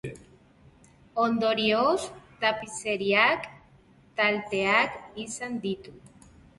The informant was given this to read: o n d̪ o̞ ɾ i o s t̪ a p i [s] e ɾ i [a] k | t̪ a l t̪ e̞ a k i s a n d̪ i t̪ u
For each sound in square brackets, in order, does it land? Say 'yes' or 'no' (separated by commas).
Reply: yes, yes